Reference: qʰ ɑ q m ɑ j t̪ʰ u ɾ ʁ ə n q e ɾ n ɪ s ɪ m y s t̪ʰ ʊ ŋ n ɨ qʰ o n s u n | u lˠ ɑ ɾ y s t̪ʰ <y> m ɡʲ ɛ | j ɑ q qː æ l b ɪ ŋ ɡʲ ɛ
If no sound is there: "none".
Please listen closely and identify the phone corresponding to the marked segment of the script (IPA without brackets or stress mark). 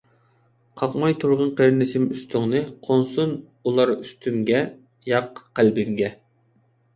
y